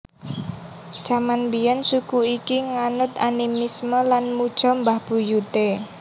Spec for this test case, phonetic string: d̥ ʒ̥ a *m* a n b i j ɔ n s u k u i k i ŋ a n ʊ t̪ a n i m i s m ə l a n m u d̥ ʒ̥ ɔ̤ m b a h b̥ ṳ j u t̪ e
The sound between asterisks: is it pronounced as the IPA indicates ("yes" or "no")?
yes